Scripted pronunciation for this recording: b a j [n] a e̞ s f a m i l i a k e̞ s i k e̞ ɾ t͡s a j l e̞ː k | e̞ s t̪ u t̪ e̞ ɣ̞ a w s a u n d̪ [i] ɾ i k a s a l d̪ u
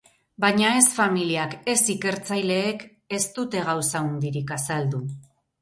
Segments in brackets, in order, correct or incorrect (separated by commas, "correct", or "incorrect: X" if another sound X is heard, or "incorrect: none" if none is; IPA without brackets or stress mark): incorrect: ɲ, correct